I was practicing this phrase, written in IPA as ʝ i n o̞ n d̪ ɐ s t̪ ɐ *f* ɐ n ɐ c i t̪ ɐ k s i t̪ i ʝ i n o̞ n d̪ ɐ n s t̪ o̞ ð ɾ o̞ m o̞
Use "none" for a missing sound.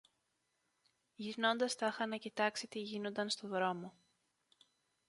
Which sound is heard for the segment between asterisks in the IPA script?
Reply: x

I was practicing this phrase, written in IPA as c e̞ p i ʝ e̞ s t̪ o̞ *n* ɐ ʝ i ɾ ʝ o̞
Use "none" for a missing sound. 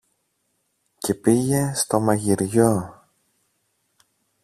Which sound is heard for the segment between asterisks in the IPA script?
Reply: m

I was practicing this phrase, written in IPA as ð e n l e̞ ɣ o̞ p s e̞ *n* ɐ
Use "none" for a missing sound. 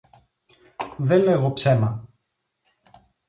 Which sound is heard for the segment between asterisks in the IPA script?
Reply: m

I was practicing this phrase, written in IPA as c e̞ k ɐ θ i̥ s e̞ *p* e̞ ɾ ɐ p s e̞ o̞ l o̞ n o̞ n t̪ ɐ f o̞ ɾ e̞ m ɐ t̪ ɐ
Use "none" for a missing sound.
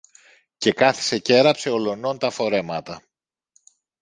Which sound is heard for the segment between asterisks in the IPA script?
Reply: c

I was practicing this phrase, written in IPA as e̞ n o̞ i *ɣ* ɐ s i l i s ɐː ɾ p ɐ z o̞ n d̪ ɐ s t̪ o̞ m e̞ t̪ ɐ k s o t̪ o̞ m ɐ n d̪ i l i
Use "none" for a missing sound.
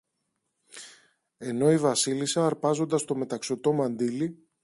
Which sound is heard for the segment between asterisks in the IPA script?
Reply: v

